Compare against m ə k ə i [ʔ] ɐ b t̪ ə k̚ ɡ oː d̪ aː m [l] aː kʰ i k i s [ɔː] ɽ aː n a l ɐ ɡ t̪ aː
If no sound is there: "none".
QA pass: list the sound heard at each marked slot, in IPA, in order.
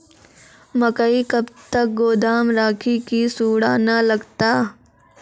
k, ɾ, uː

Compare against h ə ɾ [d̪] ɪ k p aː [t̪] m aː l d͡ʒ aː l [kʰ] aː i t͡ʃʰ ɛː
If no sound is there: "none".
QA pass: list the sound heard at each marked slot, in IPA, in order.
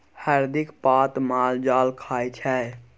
d̪, t̪, kʰ

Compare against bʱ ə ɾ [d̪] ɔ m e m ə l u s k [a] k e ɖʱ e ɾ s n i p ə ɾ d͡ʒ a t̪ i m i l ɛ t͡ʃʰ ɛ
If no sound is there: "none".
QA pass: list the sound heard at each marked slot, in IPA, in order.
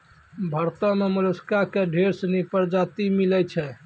t̪, a

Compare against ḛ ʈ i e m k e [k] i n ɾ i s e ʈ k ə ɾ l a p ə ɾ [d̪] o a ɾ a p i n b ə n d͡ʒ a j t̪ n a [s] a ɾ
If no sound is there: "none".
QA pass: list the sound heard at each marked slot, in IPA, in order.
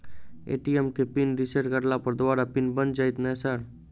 p, d̪, s

